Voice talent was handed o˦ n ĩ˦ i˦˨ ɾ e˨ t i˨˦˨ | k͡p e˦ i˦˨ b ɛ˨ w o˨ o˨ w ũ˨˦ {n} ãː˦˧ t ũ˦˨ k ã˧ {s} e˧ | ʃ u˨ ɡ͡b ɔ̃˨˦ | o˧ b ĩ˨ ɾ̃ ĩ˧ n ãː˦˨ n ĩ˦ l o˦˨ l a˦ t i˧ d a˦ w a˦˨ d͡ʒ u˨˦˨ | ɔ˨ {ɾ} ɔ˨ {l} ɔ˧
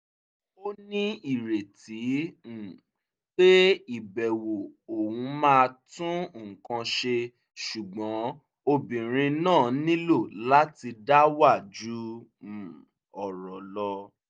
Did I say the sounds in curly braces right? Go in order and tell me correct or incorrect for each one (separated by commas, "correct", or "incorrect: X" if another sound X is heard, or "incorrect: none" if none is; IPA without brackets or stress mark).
incorrect: m, incorrect: ʃ, correct, correct